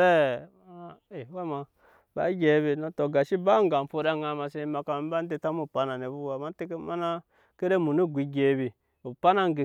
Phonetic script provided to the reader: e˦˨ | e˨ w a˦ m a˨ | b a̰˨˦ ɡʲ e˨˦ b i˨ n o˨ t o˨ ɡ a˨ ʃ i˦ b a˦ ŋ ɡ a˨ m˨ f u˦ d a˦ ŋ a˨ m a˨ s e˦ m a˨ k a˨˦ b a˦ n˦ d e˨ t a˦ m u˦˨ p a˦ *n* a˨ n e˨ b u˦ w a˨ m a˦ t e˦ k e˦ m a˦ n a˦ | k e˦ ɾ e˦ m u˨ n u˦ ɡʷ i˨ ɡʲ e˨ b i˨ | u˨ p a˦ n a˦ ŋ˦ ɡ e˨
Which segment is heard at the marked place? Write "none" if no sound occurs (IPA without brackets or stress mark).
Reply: n